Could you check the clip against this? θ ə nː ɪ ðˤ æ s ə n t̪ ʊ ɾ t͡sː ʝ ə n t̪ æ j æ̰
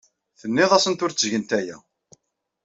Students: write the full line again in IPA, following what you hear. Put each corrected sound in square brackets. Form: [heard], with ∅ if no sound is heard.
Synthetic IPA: θ ə nː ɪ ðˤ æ s ə n t̪ ʊ ɾ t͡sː ʝ ə n t̪ æ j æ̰